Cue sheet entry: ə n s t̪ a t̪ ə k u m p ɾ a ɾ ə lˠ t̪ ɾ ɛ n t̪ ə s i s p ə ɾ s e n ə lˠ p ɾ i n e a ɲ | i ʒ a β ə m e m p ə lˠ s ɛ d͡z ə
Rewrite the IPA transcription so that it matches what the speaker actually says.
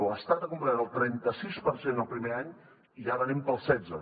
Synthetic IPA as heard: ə s t̪ a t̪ ə k u m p ɾ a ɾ ə lˠ t̪ ɾ ɛ n t̪ ə s i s p ə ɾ s e n ə lˠ p ɾ i m e a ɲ | i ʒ a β ə n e m p ə lˠ s ɛ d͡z ə